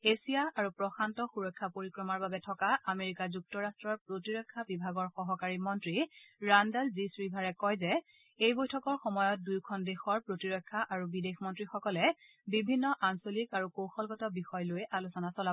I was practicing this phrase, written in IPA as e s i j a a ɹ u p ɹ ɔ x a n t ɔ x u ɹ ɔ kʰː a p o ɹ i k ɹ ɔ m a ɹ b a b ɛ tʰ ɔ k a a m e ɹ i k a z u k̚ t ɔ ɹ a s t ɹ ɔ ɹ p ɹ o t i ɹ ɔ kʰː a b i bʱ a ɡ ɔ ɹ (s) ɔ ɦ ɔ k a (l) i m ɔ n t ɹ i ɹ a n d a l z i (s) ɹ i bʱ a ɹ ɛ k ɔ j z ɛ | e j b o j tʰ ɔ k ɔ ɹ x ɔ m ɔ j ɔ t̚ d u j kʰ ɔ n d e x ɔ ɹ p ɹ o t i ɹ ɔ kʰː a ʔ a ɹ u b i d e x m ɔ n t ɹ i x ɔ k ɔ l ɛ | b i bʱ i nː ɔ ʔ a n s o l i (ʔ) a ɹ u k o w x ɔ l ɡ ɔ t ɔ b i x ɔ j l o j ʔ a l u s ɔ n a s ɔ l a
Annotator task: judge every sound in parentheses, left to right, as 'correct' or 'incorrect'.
incorrect: x, incorrect: ɹ, correct, incorrect: k

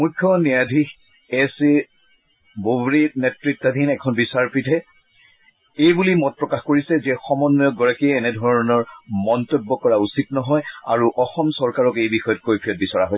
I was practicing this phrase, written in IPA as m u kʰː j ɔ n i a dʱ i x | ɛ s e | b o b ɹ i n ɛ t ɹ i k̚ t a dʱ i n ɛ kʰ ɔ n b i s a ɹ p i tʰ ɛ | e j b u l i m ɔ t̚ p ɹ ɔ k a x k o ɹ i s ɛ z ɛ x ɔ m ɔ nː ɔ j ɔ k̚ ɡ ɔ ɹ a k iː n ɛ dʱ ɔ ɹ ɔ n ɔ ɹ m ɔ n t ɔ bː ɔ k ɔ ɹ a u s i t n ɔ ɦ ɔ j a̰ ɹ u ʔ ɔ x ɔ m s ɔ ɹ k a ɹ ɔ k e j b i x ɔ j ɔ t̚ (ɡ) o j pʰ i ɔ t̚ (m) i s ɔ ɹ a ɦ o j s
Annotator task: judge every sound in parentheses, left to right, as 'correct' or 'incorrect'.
incorrect: k, incorrect: b

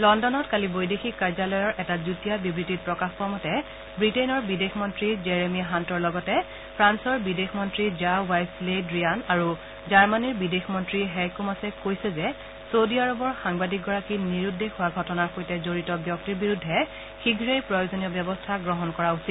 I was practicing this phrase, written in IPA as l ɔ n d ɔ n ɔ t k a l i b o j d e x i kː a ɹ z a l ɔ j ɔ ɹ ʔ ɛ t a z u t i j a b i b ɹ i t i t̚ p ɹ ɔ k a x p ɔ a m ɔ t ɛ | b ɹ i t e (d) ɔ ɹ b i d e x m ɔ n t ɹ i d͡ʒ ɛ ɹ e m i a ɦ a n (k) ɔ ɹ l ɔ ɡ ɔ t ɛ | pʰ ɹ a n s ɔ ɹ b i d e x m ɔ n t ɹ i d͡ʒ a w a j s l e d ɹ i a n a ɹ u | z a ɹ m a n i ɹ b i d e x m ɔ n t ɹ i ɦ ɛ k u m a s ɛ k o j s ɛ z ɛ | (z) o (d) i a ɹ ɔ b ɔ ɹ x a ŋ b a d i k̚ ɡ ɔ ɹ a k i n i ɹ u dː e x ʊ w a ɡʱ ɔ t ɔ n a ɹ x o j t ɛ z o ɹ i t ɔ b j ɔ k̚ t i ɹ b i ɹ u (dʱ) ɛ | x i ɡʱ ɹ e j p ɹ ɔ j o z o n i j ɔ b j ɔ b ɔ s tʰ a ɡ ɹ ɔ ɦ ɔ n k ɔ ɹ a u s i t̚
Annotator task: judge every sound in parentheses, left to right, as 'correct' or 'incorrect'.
incorrect: n, incorrect: t, incorrect: s, correct, incorrect: dʱː

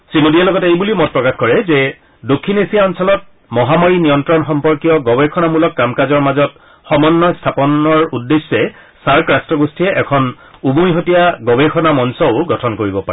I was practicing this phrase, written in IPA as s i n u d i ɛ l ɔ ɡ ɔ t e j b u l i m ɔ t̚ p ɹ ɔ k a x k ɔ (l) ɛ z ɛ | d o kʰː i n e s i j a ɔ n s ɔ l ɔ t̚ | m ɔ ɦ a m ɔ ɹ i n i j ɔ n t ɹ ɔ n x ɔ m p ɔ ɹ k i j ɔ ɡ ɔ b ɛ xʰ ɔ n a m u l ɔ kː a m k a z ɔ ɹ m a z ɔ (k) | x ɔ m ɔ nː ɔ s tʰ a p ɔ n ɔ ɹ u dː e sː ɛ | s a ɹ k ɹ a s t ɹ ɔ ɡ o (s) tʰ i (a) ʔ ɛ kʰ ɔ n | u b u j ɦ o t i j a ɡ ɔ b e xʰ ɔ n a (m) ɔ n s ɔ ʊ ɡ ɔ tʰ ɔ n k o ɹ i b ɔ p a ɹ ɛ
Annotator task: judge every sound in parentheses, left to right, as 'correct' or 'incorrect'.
incorrect: ɹ, incorrect: t, correct, incorrect: ɛ, correct

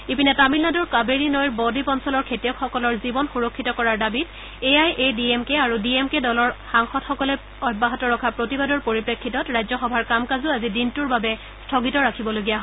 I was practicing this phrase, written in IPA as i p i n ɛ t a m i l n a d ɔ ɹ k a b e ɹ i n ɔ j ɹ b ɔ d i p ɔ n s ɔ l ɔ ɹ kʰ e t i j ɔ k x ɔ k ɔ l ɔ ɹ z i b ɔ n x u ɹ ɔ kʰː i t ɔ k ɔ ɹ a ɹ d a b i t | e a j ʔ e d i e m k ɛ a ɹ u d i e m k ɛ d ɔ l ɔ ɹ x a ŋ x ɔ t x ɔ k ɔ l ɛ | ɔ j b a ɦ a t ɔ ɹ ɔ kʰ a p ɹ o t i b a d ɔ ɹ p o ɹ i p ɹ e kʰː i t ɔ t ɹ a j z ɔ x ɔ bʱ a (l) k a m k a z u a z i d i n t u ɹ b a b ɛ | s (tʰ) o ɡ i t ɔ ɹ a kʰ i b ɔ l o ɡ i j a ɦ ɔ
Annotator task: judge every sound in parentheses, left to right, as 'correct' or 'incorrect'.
incorrect: ɹ, correct

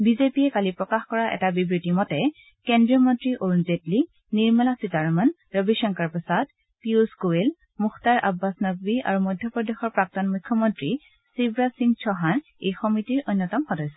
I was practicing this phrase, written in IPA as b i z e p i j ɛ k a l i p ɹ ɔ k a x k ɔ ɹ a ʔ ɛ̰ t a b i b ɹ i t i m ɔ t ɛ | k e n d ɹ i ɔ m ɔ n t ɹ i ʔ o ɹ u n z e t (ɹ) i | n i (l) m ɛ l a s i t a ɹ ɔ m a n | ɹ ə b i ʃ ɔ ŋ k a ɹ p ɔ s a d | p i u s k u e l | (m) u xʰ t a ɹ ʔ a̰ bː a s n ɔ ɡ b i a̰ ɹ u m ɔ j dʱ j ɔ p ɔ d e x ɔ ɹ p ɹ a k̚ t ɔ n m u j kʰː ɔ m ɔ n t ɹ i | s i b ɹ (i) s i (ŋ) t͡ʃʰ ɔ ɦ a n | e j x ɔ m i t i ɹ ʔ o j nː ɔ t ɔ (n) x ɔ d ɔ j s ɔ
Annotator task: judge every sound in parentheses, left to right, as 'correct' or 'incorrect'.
incorrect: l, incorrect: ɹ, correct, incorrect: a, correct, incorrect: m

